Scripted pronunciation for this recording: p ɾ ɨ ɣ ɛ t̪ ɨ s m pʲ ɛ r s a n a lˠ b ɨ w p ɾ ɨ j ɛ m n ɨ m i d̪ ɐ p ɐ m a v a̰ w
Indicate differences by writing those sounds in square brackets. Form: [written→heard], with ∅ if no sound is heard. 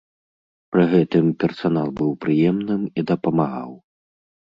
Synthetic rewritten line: p ɾ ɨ ɣ ɛ t̪ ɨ [s→∅] m pʲ ɛ r s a n a lˠ b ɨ w p ɾ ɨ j ɛ m n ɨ m i d̪ ɐ p ɐ m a [v→ɣ] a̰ w